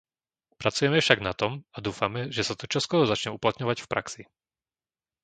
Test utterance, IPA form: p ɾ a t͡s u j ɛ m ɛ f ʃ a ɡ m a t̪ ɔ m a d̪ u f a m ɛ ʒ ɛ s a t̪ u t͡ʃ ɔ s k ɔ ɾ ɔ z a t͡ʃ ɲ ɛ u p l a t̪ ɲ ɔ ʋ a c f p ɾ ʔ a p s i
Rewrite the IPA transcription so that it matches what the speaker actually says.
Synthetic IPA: p ɾ a t͡s u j ɛ m ɛ f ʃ a ɡ n a t̪ ɔ m a d̪ uː f a m ɛ ʒ ɛ s a t̪ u t͡ʃ ɔ s k ɔ ɾ ɔ z a t͡ʃ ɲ ɛ u p l a t̪ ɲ ɔ ʋ a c f p ɾ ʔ a k s i